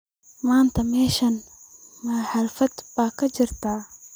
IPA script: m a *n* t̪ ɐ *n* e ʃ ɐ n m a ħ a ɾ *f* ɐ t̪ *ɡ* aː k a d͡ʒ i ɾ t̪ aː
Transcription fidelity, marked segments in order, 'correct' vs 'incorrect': correct, incorrect: m, correct, incorrect: b

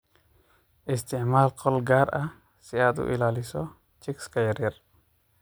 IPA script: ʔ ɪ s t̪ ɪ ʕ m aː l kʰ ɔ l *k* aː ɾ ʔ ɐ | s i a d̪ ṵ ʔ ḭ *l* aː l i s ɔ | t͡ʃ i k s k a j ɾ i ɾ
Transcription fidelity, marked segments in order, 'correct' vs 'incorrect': incorrect: ɡ, correct

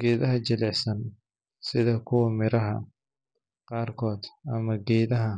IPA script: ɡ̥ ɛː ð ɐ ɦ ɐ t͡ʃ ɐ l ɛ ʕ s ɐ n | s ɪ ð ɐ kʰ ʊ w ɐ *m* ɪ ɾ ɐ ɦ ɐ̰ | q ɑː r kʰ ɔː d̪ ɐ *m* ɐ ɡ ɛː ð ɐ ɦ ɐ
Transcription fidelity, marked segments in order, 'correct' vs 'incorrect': correct, correct

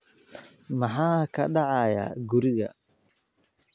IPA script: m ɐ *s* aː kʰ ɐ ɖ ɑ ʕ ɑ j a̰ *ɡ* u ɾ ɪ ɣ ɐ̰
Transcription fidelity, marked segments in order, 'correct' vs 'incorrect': incorrect: ħ, correct

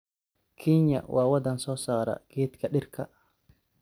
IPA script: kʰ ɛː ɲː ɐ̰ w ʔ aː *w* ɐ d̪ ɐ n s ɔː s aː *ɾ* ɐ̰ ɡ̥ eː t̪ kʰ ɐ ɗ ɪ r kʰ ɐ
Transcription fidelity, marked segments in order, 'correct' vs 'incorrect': correct, correct

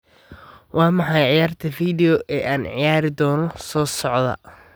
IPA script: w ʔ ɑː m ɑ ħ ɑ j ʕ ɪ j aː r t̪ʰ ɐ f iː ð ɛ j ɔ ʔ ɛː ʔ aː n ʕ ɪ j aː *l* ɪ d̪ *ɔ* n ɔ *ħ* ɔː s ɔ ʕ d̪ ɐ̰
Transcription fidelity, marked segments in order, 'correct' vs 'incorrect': incorrect: ɾ, incorrect: ɔː, incorrect: s

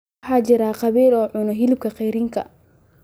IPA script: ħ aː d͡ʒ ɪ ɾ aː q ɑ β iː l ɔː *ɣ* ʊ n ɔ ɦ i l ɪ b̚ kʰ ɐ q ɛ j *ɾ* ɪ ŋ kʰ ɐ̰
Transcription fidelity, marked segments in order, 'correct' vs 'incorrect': incorrect: ʕ, correct

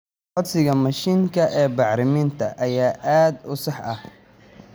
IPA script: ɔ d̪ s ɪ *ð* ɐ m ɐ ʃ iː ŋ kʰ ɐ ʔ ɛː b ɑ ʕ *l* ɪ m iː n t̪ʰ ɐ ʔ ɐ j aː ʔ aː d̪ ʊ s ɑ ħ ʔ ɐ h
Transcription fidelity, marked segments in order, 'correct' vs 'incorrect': incorrect: ɣ, incorrect: ɾ

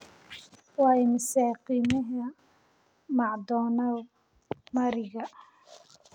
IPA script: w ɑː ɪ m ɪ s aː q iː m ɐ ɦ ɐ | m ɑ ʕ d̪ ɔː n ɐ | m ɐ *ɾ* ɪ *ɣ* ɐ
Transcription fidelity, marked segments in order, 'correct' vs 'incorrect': correct, correct

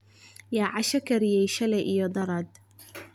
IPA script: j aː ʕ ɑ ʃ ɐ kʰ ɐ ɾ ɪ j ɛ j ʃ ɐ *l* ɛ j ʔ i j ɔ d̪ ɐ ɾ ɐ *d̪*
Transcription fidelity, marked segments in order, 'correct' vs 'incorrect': correct, correct

